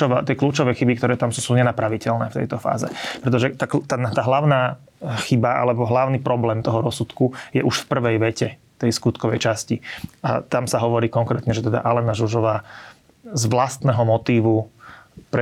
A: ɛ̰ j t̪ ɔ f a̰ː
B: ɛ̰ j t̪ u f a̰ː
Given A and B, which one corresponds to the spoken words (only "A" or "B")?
A